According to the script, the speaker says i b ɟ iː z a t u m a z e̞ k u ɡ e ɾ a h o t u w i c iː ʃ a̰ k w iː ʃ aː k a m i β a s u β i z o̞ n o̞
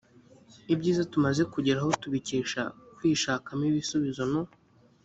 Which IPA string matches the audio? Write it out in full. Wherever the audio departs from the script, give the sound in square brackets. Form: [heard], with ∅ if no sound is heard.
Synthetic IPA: i b ɟ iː z a t u m a z e̞ k u [ɟ] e ɾ a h o t u [β] i c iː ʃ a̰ k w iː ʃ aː k a m i β [i] s u β i z o̞ n o̞